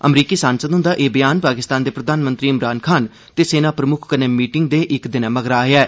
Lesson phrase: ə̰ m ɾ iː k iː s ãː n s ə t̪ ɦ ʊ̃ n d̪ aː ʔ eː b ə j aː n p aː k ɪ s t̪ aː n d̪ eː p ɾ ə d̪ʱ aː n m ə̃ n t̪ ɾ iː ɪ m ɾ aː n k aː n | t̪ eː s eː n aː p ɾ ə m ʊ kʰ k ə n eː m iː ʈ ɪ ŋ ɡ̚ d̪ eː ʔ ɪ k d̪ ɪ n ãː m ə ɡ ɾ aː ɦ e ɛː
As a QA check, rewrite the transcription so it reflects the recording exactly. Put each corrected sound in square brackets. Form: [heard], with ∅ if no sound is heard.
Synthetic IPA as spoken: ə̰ m ɾ iː k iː s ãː n s ə [d̪] ɦ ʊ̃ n d̪ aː ʔ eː b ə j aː n p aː k ɪ s t̪ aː n d̪ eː p ɾ ə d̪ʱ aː n m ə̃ n t̪ ɾ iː ɪ m ɾ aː n [kʰ] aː n | t̪ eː s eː n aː p ɾ ə m ʊ kʰ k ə n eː m iː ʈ ɪ ŋ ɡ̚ d̪ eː ʔ ɪ k d̪ ɪ n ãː m ə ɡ ɾ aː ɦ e ɛː